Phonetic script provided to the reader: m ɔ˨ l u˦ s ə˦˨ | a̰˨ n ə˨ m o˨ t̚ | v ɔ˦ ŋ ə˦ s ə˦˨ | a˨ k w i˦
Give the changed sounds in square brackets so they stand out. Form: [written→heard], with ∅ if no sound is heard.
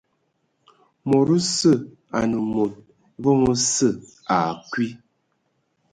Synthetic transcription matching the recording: m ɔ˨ [l→ɾ] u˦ s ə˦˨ | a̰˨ n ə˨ m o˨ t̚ | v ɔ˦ ŋ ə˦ s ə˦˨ | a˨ k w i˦